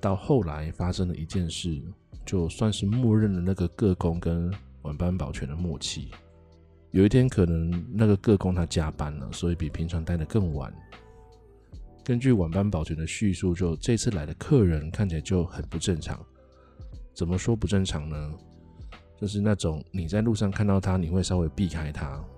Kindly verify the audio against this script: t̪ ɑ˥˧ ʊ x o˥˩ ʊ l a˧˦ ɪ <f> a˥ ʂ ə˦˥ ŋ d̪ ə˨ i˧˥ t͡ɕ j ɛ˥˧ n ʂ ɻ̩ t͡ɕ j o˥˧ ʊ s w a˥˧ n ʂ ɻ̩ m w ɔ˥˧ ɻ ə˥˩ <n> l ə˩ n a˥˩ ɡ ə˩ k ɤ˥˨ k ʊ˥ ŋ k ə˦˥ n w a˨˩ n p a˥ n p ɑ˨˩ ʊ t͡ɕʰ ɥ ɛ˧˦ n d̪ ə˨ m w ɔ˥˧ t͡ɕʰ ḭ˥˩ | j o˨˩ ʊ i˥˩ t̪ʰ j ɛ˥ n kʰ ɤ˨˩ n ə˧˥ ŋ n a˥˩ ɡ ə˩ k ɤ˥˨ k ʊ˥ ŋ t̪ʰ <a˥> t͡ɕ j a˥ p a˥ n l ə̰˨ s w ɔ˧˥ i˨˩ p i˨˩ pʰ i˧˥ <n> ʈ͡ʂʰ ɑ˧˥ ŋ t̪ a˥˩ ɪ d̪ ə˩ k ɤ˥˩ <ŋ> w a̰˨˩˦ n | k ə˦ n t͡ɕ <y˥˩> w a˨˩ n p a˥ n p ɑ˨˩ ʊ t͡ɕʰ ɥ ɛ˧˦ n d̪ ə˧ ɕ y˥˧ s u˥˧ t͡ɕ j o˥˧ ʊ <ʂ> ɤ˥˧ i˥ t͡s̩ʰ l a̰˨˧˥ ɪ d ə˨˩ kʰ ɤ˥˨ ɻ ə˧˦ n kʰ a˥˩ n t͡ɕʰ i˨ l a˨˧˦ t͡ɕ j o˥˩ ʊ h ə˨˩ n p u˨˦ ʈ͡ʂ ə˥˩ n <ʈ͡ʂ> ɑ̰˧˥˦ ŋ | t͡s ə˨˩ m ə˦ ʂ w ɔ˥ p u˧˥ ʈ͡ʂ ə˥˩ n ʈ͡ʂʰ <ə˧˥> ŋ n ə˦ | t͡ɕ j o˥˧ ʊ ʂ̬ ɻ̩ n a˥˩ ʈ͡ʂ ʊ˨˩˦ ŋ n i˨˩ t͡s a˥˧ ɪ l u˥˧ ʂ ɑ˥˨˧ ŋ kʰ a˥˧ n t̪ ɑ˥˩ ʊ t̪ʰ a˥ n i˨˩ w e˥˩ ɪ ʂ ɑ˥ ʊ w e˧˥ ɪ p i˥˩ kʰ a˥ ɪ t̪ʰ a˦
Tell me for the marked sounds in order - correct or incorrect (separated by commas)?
correct, correct, correct, incorrect, correct, correct, incorrect, incorrect, incorrect